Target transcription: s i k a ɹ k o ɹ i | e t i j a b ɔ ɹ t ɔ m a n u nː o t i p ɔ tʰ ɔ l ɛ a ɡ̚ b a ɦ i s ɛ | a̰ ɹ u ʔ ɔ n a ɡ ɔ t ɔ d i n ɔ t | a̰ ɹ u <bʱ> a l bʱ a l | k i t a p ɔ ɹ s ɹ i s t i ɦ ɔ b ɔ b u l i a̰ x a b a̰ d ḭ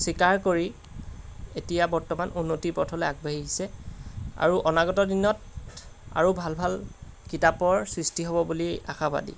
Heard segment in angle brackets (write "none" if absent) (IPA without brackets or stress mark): bʱ